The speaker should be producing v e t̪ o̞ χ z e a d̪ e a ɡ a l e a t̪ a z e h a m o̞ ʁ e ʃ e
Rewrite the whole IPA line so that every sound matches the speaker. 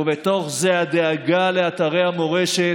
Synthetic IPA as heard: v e t̪ o̞ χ z e a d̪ e a ɡ a l e a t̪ a ʁ e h a m o̞ ʁ e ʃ e